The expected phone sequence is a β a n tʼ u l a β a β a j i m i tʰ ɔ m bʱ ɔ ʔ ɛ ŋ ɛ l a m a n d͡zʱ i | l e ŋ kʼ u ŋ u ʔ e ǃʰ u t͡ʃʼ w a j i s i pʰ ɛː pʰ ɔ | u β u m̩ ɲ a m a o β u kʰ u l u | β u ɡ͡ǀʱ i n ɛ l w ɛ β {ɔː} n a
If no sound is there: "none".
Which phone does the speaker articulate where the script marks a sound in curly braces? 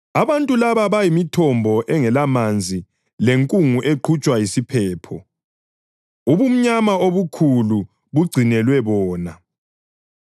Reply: ɔː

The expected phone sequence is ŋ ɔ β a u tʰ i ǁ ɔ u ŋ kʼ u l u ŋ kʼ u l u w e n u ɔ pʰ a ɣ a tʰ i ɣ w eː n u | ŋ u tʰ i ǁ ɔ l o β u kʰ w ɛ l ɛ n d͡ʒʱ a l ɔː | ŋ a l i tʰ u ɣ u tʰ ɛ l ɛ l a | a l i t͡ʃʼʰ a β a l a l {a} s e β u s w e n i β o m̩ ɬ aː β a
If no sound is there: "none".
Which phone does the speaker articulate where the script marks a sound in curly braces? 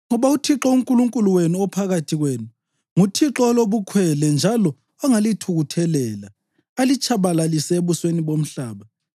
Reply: i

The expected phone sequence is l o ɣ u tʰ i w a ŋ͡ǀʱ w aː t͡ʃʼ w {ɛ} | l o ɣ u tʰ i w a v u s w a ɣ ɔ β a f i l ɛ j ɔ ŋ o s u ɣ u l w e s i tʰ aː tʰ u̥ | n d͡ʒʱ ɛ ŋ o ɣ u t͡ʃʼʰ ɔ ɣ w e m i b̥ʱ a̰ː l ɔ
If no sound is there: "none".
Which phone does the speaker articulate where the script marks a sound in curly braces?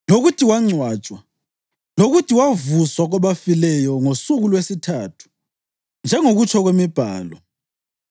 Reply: a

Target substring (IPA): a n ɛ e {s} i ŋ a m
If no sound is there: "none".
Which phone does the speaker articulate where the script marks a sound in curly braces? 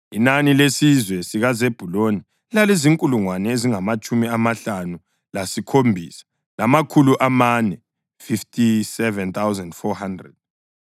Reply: z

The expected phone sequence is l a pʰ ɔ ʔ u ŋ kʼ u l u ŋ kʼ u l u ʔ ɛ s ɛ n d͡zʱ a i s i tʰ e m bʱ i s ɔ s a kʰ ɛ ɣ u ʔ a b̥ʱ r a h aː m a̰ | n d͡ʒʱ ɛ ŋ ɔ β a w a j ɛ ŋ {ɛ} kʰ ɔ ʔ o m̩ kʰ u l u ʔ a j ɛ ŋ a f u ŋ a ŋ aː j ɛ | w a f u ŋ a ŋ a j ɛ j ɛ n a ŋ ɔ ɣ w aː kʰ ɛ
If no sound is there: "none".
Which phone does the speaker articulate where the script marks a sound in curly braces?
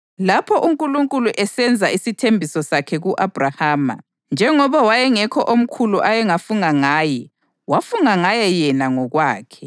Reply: ɛ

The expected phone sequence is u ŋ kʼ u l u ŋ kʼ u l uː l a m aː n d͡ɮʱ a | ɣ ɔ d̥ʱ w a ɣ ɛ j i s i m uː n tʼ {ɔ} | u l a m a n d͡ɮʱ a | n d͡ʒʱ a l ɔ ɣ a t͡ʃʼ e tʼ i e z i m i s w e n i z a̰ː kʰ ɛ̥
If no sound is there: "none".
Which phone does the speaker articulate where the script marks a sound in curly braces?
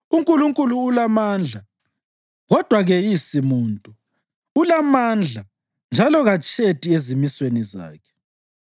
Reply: u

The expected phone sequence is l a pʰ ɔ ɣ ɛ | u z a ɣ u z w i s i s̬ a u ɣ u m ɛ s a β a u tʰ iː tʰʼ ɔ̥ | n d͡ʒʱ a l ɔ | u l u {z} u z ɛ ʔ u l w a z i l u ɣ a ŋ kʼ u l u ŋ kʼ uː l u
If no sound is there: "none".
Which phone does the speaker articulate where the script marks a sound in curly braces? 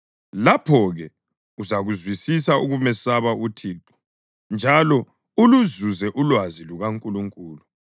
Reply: z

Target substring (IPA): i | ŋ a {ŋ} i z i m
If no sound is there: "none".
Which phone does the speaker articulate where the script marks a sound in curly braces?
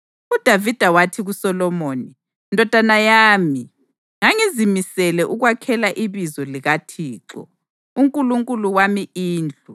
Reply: ŋ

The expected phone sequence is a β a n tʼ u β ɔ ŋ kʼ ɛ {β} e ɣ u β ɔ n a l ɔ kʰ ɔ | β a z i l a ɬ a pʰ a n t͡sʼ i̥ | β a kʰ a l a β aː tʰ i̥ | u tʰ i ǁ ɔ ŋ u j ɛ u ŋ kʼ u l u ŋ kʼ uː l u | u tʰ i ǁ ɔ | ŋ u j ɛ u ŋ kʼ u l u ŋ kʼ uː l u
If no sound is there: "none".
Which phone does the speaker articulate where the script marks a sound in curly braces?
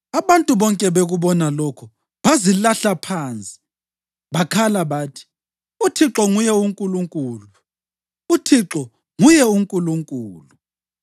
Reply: β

